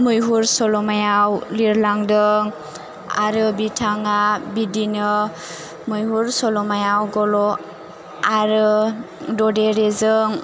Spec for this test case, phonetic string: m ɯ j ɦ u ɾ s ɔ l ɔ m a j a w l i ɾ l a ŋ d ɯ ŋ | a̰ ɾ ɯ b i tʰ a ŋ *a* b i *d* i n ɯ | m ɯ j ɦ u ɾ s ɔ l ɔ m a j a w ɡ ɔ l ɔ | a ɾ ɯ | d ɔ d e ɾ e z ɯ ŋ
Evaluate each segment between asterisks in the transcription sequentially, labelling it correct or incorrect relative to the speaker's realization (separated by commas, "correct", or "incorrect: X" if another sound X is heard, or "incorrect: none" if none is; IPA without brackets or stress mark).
correct, correct